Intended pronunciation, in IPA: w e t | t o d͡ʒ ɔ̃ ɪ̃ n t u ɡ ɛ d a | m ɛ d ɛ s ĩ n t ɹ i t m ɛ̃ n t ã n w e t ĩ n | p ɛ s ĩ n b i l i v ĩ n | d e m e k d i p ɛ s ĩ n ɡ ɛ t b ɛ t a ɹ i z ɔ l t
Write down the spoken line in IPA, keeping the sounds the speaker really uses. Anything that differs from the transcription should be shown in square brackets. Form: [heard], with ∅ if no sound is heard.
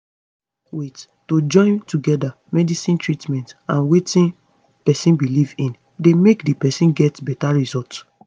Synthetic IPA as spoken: w e t | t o d͡ʒ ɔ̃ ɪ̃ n t u ɡ ɛ d a | m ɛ d [i] s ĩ n t ɹ i t m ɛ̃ n t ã n w e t ĩ n | p ɛ s ĩ n b i l i v ĩ n | d e m e k d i p ɛ s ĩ n ɡ ɛ t b ɛ t a ɹ i z ɔ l t